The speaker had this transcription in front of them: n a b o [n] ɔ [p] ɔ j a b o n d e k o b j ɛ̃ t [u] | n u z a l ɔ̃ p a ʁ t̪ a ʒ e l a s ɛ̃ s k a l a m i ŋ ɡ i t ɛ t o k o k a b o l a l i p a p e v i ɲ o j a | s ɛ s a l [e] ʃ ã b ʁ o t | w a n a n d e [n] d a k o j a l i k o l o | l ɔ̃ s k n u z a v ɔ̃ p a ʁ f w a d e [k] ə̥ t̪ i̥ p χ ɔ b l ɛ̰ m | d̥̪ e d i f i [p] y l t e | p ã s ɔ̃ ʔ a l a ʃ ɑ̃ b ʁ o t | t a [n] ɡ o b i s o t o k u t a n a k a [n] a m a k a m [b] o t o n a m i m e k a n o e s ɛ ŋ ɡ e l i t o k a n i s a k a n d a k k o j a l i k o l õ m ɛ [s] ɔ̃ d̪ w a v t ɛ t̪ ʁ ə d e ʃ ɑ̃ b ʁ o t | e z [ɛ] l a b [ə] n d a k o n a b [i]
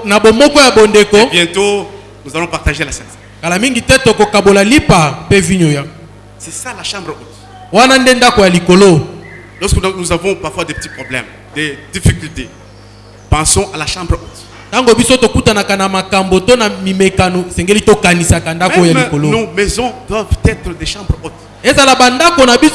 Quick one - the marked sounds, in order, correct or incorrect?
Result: incorrect: m, incorrect: k, incorrect: o, incorrect: a, correct, incorrect: p, incorrect: k, incorrect: ŋ, correct, correct, incorrect: z, incorrect: a, incorrect: a, correct

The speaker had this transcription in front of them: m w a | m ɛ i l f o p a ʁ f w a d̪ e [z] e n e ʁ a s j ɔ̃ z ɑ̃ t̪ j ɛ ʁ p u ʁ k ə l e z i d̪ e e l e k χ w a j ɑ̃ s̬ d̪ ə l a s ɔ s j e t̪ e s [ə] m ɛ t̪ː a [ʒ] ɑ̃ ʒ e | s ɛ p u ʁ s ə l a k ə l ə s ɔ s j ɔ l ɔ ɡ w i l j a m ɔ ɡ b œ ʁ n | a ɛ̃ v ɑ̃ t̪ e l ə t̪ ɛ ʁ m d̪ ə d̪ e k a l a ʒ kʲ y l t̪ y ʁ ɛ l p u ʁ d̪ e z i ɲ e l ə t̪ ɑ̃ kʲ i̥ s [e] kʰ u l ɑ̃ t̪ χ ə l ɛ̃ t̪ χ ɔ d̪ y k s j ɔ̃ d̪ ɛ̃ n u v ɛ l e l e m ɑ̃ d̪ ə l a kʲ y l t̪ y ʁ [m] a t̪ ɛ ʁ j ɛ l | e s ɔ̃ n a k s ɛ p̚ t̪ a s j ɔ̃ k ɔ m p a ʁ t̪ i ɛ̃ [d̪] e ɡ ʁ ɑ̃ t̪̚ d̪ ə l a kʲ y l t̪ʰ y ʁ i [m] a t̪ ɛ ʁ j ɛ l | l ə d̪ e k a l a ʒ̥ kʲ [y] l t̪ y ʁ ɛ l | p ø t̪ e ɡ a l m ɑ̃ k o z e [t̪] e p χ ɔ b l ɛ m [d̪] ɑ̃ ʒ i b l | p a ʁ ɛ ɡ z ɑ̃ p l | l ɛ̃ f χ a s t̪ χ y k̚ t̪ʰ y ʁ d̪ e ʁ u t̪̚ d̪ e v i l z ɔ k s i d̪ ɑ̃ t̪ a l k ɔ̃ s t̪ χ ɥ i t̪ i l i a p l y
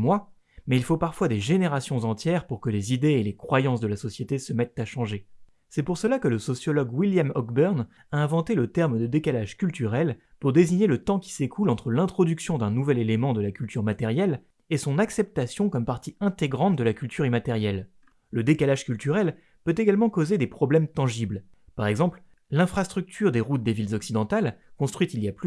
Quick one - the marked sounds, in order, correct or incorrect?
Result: incorrect: ʒ, correct, incorrect: ʃ, correct, correct, incorrect: t̪, correct, correct, incorrect: d̪, incorrect: t̪

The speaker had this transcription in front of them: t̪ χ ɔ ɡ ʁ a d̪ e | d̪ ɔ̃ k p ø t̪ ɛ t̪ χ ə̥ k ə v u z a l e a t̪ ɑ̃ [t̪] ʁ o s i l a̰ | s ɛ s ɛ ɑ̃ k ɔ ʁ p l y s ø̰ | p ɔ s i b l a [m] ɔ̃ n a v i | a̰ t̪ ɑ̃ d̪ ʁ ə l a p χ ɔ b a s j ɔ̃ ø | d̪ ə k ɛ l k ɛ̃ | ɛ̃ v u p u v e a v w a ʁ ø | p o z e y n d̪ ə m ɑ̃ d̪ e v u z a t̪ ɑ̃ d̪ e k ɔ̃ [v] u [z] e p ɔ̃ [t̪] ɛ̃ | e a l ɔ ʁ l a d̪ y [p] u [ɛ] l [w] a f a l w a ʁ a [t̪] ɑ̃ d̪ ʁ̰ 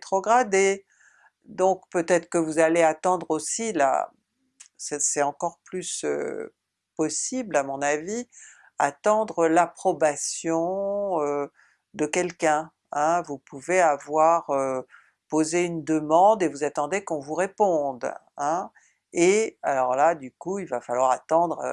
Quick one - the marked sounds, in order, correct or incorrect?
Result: incorrect: d̪, correct, correct, incorrect: ʁ, incorrect: d̪, incorrect: k, incorrect: i, incorrect: v, correct

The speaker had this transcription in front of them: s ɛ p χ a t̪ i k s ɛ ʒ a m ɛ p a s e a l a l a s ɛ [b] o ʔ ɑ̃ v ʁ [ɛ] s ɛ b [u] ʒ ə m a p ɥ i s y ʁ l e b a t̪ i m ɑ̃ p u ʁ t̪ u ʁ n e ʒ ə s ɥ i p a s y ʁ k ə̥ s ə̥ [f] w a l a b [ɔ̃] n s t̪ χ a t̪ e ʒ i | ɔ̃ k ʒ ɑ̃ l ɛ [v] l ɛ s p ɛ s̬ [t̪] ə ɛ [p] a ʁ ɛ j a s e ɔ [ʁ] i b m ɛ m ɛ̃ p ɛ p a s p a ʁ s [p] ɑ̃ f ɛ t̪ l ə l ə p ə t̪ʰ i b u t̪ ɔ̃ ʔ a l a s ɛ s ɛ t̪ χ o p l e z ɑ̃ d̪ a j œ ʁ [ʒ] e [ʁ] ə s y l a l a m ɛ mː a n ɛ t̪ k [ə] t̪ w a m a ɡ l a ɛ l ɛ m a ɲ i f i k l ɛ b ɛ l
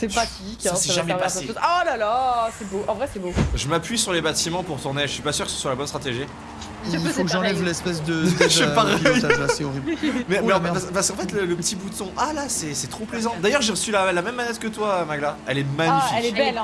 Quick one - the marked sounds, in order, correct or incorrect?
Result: correct, correct, incorrect: o, incorrect: s, incorrect: ɔ, correct, incorrect: d̪, correct, correct, incorrect: k, correct, correct, correct

